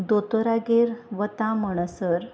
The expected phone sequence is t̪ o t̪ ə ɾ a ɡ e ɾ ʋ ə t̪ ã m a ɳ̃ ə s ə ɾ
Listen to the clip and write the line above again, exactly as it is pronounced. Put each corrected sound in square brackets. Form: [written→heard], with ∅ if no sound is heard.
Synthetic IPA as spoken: [t̪→d̪] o t̪ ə ɾ a ɡ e ɾ ʋ ə t̪ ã m [a→ə] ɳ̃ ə s ə ɾ